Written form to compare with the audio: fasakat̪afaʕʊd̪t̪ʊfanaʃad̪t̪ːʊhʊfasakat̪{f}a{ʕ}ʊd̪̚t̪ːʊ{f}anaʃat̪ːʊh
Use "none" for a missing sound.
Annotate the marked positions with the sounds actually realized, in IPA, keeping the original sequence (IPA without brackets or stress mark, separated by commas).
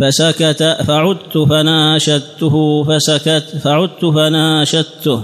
f, ʕ, f